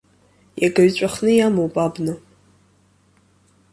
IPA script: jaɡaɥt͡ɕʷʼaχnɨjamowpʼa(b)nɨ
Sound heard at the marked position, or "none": b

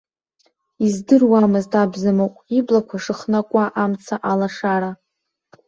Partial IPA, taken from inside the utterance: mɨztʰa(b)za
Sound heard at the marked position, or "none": b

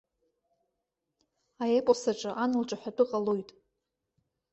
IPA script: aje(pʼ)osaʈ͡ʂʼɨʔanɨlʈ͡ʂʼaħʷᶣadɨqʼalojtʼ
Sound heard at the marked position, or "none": pʼ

